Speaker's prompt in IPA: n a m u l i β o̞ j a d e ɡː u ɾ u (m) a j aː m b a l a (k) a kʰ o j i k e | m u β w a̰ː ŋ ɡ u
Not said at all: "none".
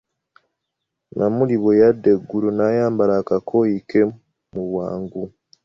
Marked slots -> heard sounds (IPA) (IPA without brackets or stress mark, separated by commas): n, k